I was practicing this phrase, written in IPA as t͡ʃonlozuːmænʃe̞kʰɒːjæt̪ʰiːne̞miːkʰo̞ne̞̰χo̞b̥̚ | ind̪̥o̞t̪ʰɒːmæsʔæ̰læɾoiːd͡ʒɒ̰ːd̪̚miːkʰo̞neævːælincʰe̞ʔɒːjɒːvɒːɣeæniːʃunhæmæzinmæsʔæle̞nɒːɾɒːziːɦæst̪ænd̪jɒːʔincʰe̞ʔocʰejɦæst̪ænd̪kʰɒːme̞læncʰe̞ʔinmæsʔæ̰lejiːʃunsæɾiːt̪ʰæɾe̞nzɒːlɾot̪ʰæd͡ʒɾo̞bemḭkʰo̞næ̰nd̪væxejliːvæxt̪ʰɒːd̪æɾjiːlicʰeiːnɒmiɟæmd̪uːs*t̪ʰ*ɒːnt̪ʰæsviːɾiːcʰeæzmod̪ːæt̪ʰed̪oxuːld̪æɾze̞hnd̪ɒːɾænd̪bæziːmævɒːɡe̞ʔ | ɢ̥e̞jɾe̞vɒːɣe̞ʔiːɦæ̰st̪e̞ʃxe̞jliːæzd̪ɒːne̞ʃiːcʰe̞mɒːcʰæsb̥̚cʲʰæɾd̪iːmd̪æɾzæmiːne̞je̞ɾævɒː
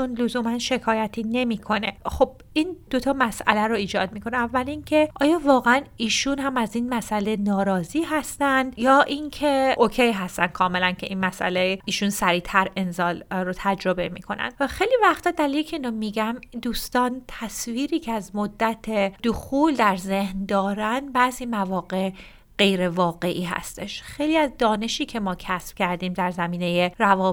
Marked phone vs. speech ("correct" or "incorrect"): incorrect